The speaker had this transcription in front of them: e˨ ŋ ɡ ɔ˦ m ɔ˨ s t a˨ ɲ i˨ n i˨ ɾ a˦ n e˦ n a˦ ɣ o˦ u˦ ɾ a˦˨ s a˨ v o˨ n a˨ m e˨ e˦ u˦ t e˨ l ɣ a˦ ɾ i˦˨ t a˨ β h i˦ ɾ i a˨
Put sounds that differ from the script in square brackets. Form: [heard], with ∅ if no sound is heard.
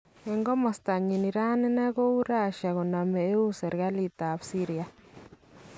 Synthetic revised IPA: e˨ ŋ ɡ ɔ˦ m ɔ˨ s t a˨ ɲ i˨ n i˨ ɾ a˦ n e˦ n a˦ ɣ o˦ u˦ ɾ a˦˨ [ʃ] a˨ [ɣ] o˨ n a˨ m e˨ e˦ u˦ [s] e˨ [ɾ] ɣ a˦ [l] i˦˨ t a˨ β [s] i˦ ɾ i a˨